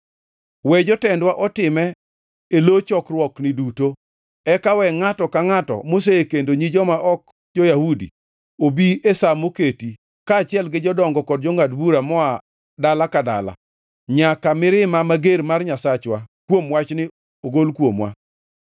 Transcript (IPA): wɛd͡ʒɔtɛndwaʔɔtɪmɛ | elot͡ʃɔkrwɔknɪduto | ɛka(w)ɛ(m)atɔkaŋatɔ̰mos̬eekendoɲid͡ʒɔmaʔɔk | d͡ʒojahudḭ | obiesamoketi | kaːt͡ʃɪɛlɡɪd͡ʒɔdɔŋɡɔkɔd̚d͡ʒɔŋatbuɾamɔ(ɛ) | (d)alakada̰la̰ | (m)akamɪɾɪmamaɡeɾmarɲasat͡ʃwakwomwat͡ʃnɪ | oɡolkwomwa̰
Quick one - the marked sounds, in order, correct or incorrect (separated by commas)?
correct, incorrect, incorrect, correct, incorrect